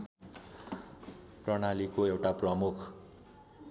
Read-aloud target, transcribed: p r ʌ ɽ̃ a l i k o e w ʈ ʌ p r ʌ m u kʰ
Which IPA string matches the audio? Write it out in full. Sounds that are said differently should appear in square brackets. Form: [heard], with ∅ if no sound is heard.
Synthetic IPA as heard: p r ʌ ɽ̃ a l i k o e w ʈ [a] p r ʌ m u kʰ

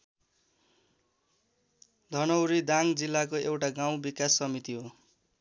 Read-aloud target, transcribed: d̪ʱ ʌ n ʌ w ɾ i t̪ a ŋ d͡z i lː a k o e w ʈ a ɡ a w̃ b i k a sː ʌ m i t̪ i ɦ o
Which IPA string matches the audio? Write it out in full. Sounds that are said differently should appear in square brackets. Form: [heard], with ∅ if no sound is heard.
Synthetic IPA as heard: d̪ʱ ʌ n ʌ w ɾ i [d̪] a ŋ d͡z i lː a k o e w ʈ a ɡ a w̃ b i k a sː ʌ m i t̪ i ɦ o

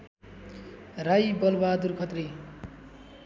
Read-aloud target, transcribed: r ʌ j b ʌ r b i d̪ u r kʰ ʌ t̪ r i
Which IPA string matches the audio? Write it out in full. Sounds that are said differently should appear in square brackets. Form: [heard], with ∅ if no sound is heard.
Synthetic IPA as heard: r [a] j b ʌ [l] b [a] d̪ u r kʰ ʌ t̪ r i

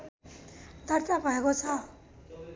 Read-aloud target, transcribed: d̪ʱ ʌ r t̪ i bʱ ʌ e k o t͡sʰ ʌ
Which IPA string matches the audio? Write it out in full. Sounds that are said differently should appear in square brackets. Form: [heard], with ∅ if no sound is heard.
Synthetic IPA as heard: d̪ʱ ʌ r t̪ [a] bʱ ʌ e k o t͡sʰ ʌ

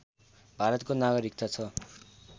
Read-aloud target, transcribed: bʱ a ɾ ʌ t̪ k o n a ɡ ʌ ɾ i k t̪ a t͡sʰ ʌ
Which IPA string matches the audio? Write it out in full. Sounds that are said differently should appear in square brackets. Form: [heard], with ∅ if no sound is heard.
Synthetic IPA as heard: bʱ a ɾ ʌ t̪ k o n a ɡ ʌ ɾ i k t̪ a t͡sʰ ʌ

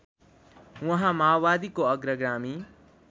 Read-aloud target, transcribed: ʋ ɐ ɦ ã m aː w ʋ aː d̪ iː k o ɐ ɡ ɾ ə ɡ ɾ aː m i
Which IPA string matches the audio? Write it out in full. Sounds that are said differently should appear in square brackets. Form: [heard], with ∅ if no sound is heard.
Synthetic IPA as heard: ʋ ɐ ɦ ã m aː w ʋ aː d̪ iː k o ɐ ɡ ɾ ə ɡ ɾ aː m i

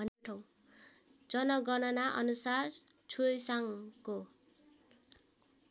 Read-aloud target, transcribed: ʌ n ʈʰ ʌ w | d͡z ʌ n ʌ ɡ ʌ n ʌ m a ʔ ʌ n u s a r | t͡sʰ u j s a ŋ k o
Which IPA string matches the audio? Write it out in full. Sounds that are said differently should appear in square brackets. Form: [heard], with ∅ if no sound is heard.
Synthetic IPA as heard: ʌ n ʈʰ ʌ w | d͡z ʌ n ʌ ɡ ʌ n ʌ [n] a ʔ ʌ n u s a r | t͡sʰ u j s a ŋ k o

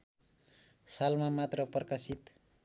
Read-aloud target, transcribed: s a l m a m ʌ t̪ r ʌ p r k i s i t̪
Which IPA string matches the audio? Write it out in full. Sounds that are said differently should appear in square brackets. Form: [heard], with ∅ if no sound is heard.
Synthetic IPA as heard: s a l m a m [a] t̪ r ʌ p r k [a] s i t̪

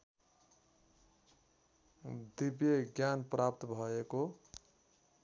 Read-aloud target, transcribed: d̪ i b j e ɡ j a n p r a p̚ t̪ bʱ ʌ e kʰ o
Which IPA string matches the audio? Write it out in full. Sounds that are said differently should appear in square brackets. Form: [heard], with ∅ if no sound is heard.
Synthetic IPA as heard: d̪ i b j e ɡ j a n p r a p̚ t̪ bʱ ʌ e [k] o

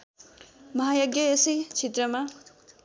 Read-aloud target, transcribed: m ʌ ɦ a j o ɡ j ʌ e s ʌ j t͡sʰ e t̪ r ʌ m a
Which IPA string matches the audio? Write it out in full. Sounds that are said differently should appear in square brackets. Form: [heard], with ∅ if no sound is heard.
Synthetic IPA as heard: m ʌ ɦ a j o ɡ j ʌ e s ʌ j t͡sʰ e t̪ r ʌ m a

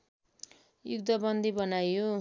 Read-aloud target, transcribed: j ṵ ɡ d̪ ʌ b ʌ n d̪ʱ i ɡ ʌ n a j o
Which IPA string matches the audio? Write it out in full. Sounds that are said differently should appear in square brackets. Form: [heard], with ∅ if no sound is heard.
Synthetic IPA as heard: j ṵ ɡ d̪ ʌ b ʌ n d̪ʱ i [b] ʌ n a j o

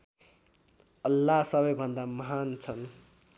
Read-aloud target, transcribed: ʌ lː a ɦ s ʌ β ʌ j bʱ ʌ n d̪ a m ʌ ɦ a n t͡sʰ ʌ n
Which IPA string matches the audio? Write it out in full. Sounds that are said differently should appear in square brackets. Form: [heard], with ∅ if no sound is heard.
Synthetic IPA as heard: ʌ lː a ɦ s ʌ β ʌ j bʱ ʌ n d̪ a m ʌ ɦ a n t͡sʰ ʌ n

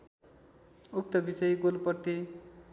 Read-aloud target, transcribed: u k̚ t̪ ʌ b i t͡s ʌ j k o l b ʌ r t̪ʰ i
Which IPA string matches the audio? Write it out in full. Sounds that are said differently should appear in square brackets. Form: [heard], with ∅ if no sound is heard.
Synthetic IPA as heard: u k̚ t̪ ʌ b i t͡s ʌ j [ɡ] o l [p] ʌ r [t̪] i

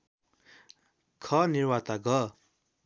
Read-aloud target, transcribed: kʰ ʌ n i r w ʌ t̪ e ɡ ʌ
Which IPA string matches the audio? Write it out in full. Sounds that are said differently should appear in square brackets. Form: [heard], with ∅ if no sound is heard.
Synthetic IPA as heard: kʰ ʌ n i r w [a] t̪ [a] ɡ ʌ

